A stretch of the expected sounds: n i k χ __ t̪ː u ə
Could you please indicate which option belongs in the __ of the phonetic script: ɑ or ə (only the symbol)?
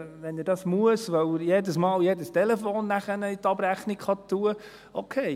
ɑ